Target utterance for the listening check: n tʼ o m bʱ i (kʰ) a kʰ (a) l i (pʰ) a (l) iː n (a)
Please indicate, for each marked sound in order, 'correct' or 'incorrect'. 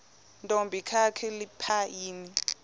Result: correct, incorrect: ɛ, correct, incorrect: none, incorrect: i

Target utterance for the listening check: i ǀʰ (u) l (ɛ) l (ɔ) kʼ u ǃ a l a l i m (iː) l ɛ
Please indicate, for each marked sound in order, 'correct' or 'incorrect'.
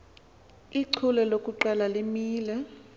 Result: correct, correct, incorrect: o, correct

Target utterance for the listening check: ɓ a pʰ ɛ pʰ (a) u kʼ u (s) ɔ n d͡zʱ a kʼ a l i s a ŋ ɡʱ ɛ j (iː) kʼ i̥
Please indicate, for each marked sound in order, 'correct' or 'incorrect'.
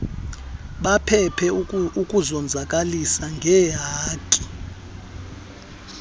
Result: incorrect: ɛ, incorrect: z, incorrect: aː

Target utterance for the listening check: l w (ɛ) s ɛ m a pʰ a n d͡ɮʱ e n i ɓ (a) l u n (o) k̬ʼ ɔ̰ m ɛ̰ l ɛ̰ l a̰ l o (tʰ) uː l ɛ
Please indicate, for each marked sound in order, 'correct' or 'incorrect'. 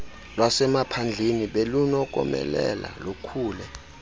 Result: incorrect: a, incorrect: e, incorrect: ɔ, incorrect: kʰ

